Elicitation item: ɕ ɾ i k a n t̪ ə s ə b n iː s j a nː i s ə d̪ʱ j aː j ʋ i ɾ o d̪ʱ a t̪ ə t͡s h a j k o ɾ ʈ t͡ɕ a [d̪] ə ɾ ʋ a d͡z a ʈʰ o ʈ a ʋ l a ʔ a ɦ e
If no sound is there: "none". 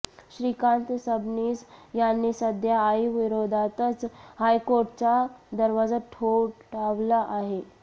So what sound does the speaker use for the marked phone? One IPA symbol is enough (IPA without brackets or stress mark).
d̪